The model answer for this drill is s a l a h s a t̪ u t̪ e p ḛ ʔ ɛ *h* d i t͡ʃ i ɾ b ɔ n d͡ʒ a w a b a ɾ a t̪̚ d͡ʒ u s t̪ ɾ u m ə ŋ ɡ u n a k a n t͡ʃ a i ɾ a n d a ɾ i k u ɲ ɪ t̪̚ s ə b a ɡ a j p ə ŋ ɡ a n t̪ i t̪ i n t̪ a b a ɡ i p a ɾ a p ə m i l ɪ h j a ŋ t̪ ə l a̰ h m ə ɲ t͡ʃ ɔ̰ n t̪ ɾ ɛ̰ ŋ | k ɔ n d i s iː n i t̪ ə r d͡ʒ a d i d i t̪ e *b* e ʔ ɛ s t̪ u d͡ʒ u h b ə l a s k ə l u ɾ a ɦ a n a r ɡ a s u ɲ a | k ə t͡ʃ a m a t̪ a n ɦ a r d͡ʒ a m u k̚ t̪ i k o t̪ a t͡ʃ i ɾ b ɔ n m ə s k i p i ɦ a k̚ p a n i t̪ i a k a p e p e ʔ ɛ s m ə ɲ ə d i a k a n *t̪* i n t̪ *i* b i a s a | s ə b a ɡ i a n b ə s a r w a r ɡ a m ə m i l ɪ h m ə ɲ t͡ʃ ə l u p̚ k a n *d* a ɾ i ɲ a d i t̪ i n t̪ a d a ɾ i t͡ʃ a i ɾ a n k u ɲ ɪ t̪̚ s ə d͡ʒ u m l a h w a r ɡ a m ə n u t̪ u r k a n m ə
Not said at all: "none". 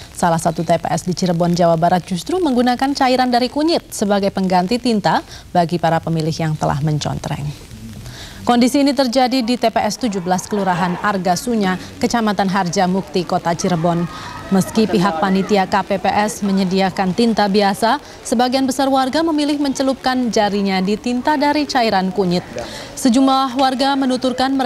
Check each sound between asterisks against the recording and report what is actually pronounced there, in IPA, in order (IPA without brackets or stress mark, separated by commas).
s, p, t̪, a, d͡ʒ